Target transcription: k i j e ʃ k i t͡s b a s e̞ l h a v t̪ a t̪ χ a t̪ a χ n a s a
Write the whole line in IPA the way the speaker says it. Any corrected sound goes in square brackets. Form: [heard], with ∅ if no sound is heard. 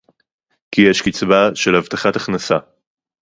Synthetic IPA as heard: k i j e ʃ k i t͡s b a [ʃ] e̞ l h a v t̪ a [∅] χ a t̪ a χ n a s a